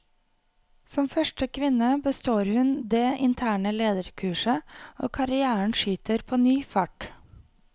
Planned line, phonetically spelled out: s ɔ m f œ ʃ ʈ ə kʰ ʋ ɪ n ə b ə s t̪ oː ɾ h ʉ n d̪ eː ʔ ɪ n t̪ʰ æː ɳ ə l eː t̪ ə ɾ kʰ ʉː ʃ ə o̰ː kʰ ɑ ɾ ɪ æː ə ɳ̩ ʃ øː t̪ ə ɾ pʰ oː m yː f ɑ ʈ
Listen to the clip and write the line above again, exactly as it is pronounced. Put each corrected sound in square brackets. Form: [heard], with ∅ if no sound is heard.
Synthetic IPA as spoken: s ɔ m f œ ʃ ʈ ə kʰ ʋ ɪ n ə b ə s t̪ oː ɾ h ʉ n d̪ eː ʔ ɪ n t̪ʰ æː ɳ ə l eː [d̪] ə ɾ kʰ ʉː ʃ ə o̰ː kʰ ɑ ɾ ɪ æː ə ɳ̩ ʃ [yː] t̪ ə ɾ pʰ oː [n] yː f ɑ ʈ

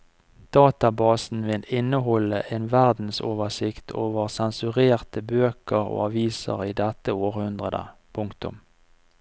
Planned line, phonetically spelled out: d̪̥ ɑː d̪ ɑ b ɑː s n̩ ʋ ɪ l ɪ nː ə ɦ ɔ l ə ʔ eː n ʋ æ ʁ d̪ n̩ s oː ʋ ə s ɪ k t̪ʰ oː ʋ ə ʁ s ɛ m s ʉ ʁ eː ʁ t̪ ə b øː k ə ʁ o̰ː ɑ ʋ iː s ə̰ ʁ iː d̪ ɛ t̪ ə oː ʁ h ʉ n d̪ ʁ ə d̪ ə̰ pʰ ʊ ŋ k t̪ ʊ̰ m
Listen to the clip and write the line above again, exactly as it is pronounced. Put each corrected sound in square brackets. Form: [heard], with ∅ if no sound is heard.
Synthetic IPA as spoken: d̪̥ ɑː [t̪] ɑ b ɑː s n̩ ʋ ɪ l ɪ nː ə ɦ ɔ l ə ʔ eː n ʋ æ ʁ d̪ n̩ s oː ʋ ə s ɪ k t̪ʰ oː ʋ ə ʁ s ɛ [n] s ʉ ʁ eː ʁ t̪ ə b øː k ə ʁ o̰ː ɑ ʋ iː s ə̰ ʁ iː d̪ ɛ t̪ ə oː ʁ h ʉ n d̪ ʁ ə d̪ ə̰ pʰ ʊ ŋ k t̪ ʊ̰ m

